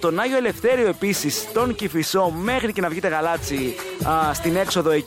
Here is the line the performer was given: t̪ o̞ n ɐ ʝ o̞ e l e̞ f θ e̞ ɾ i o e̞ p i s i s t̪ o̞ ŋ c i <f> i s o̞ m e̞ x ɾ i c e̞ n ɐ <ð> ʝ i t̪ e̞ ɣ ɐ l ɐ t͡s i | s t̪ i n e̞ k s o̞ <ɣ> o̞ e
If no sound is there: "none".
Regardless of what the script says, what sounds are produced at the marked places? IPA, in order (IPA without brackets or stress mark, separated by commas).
f, v, ð